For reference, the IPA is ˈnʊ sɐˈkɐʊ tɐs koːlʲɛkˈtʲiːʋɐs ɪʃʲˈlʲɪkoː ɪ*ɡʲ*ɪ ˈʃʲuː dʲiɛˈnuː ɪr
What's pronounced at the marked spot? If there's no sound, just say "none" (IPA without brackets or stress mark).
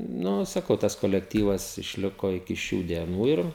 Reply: kʲ